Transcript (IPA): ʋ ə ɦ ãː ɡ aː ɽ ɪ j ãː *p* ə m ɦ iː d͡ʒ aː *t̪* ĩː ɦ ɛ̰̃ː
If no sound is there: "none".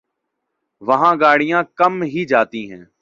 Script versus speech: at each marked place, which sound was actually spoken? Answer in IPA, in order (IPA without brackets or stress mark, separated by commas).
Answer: k, t̪